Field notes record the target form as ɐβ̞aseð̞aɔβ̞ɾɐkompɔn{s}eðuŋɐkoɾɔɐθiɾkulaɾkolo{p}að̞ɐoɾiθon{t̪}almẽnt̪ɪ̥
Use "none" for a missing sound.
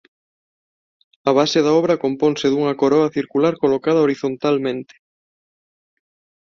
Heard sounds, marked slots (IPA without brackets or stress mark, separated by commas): s, k, t̪